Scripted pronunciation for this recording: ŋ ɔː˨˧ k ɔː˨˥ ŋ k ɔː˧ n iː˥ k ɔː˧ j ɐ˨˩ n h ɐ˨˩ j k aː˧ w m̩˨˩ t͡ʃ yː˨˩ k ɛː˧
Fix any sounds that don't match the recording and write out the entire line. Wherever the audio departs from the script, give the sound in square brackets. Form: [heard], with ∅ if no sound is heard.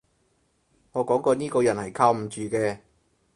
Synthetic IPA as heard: ŋ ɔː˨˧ k ɔː˨˥ ŋ k ɔː˧ n iː˥ k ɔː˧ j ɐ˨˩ n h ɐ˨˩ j [kʰ] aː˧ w m̩˨˩ t͡ʃ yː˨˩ k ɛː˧